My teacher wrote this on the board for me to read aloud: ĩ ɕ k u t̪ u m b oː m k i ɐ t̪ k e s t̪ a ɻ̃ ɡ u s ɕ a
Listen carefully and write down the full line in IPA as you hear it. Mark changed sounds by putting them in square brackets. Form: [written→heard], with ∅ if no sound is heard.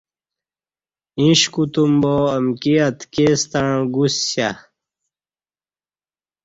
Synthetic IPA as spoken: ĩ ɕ k u t̪ u m b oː m k i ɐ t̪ k e s t̪ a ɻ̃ ɡ u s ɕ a

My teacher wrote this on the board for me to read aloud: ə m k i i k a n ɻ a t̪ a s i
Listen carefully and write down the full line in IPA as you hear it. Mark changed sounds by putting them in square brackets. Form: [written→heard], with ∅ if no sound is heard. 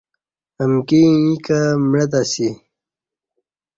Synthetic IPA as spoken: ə m k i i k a [n→m] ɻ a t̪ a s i

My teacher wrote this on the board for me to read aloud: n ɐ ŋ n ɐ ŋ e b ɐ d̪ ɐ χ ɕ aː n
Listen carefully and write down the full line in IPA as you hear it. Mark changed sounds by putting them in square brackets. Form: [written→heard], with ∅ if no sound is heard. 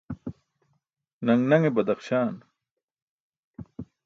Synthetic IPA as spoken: n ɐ ŋ n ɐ ŋ e b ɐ d̪ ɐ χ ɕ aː n

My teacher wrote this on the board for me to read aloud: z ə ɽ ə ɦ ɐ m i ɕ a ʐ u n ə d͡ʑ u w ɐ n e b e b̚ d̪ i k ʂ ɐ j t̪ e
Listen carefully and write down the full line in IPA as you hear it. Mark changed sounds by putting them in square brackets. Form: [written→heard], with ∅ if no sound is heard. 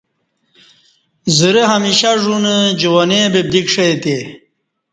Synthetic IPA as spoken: z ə [ɽ→ɾ] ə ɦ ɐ m i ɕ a ʐ u n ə d͡ʑ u w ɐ n e b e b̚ d̪ i k ʂ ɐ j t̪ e

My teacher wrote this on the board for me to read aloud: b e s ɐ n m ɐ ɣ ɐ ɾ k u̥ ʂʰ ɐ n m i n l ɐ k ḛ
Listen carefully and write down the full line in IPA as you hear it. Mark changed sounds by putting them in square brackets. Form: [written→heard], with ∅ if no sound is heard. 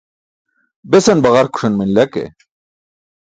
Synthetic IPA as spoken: b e s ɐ n [m→b] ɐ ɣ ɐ ɾ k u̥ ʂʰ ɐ n m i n l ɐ k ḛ

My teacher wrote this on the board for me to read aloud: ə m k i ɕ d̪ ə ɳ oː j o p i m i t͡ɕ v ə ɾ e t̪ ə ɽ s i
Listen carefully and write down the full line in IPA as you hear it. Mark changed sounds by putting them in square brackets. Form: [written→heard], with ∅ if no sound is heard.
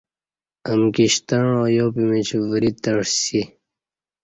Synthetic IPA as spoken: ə m k i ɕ [d̪→t̪] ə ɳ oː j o p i m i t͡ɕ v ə ɾ [e→i] t̪ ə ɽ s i

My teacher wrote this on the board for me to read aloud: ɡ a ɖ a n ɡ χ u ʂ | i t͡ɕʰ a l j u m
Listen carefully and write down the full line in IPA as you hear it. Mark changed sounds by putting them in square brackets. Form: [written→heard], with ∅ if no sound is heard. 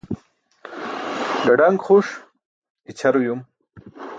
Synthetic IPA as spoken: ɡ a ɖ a [n→ŋ] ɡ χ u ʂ | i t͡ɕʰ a [l→ɾ] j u m

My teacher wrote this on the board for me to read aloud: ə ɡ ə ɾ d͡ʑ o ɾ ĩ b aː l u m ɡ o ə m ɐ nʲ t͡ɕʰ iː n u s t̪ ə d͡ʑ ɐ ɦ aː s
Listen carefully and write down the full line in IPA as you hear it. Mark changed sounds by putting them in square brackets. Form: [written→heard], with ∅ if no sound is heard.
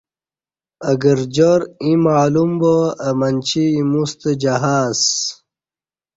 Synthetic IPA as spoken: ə ɡ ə ɾ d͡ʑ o ɾ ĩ [b→m] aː l u m [ɡ→b] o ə m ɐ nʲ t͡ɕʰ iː [n→m] u s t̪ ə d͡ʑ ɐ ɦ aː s

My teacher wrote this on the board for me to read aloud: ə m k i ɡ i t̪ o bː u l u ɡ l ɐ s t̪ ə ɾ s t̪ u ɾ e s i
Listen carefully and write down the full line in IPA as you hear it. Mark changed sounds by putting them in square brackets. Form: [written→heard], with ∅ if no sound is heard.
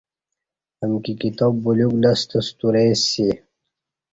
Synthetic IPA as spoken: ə m k i [ɡ→k] i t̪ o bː u l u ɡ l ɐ s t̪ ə [ɾ→∅] s t̪ u ɾ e s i

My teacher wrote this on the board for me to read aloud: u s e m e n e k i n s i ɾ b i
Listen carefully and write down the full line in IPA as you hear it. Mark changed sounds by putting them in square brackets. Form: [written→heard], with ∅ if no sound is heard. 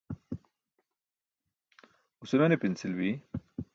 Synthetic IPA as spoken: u s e m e n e [k→p] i n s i [ɾ→l] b i

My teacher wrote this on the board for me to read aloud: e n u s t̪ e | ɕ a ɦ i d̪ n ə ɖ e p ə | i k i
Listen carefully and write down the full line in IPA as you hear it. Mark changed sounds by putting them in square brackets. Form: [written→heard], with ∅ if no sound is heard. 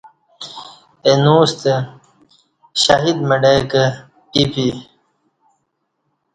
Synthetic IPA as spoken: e n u s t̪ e | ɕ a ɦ i d̪ [n→m] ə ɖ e [p→k] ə | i [k→p] i

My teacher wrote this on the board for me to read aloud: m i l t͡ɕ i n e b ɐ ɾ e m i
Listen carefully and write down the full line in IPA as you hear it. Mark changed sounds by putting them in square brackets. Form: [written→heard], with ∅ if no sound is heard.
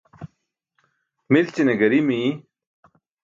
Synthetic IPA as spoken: m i l t͡ɕ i n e [b→ɡ] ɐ ɾ [e→i] m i

